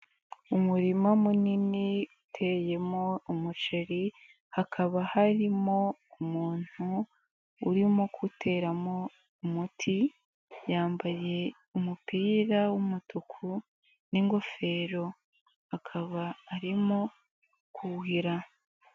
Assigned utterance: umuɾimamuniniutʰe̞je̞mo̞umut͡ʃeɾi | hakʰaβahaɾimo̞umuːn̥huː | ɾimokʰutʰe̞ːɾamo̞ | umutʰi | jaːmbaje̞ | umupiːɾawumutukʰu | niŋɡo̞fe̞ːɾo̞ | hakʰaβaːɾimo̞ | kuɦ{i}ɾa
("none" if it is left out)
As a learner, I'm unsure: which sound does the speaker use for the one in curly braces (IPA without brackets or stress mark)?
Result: i